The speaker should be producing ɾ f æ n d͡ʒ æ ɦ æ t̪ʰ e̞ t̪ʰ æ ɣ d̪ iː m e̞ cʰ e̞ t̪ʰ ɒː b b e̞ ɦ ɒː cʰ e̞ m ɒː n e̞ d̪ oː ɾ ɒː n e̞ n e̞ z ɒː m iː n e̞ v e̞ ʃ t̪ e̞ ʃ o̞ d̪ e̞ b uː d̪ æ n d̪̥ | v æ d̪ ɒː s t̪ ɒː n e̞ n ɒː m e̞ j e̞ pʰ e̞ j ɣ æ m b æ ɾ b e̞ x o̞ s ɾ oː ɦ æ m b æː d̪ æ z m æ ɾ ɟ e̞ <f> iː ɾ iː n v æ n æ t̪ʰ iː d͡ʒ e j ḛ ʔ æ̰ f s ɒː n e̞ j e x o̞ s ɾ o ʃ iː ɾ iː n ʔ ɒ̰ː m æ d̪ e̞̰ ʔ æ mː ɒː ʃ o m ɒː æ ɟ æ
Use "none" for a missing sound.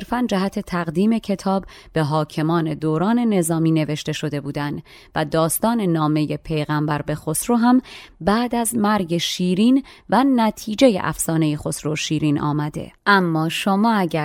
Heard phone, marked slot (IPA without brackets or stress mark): ʃ